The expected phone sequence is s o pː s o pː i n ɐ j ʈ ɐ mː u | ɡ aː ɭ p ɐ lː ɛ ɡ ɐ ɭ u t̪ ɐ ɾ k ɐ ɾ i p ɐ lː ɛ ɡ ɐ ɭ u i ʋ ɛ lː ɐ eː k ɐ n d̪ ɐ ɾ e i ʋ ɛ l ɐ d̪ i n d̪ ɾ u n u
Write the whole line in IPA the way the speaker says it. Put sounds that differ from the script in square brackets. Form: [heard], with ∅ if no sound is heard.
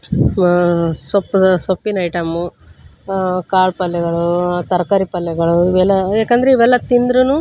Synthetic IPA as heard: s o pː s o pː i n ɐ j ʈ ɐ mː u | [k] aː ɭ p ɐ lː ɛ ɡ ɐ ɭ u t̪ ɐ ɾ k ɐ ɾ i p ɐ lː ɛ ɡ ɐ ɭ u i ʋ ɛ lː ɐ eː k ɐ n d̪ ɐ ɾ e i ʋ ɛ [lː] ɐ [t̪] i n d̪ ɾ u n u